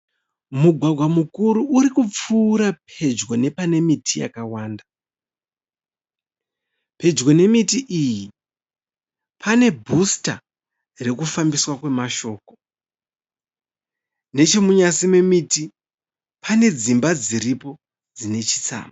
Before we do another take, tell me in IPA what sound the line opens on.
m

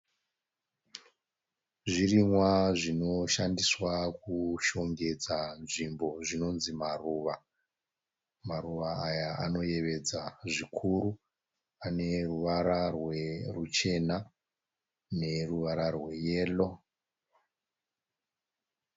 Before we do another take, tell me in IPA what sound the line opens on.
ʐ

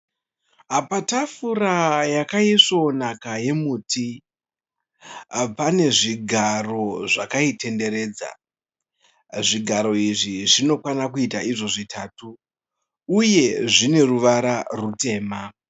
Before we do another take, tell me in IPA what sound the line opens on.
a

